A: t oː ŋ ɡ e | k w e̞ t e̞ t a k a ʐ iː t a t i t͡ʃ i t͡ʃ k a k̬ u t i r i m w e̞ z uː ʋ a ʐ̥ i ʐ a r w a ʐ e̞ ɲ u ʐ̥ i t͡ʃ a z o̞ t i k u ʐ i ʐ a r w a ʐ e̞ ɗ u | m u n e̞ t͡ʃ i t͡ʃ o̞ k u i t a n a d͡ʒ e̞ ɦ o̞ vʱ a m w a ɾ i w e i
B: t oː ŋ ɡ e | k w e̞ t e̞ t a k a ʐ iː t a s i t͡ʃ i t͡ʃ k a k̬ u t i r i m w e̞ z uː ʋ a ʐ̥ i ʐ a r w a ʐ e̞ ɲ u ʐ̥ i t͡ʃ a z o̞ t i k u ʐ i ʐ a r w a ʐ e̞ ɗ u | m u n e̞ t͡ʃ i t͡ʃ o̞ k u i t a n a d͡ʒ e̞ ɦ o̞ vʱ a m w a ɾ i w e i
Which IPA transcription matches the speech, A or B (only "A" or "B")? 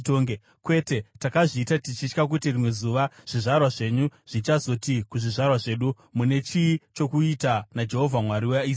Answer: A